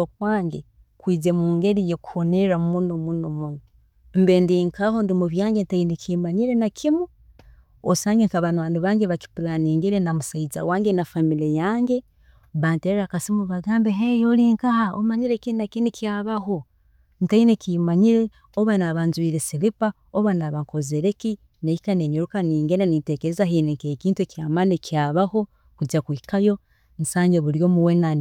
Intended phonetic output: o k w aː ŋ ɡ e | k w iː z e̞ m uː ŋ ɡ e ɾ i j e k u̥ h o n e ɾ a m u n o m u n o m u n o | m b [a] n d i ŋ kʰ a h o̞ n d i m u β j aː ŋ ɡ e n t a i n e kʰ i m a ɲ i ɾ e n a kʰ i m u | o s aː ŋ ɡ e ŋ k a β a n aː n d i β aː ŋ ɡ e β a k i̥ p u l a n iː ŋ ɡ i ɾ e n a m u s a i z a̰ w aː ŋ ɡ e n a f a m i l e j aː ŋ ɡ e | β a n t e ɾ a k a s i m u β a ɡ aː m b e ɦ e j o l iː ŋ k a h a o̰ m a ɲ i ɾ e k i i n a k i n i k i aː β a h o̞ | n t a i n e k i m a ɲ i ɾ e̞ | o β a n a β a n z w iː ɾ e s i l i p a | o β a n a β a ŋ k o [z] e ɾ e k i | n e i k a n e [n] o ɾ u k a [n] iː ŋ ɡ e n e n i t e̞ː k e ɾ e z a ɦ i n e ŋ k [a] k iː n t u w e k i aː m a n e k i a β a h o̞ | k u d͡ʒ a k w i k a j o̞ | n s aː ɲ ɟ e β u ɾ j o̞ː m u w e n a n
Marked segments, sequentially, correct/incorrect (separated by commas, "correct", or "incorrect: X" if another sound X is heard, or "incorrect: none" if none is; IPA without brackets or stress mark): incorrect: e, correct, incorrect: ɲ, correct, incorrect: e